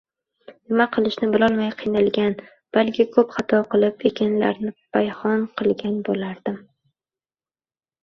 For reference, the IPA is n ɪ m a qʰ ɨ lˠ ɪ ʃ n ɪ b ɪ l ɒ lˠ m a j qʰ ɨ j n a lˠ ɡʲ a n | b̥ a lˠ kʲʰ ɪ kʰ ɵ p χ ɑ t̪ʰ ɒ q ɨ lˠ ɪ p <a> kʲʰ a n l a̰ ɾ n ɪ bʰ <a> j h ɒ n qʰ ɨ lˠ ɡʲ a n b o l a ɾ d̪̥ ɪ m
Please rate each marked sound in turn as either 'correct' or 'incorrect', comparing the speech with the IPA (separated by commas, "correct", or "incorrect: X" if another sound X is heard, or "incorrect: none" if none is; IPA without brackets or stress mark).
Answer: incorrect: e, correct